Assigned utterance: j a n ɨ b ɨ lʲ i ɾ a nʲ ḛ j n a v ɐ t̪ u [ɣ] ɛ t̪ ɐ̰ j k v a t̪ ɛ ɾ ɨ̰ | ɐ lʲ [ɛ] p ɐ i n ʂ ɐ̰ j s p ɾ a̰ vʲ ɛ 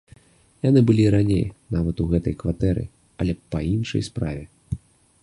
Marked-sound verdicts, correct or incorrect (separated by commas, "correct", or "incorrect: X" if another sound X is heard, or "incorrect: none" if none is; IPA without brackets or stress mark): correct, correct